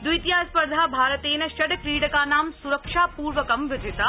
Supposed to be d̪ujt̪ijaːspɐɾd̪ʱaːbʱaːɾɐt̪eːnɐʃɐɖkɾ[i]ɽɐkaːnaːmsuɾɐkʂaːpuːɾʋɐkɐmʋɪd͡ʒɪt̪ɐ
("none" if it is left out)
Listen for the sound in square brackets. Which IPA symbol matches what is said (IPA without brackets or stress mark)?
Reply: iː